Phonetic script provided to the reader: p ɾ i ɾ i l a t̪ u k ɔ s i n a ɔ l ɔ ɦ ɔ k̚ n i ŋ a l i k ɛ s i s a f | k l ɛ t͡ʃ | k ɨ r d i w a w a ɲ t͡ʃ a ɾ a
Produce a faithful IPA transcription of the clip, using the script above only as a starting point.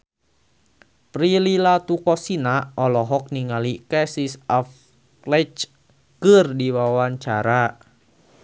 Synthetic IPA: p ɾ i l i l a t̪ u k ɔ s i n a ɔ l ɔ ɦ ɔ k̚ n i ŋ a l i k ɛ s i s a f | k l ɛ t͡ʃ | k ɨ r d i w a w a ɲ t͡ʃ a ɾ a